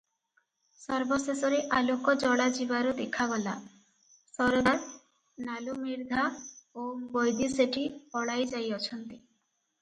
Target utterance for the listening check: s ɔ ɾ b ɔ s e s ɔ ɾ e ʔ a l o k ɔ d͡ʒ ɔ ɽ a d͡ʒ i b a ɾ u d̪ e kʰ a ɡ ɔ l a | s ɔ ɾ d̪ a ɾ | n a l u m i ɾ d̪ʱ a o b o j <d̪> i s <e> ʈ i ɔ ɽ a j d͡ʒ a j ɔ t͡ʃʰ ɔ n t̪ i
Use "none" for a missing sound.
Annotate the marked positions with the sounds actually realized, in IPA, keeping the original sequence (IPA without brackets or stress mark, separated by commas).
d̪, e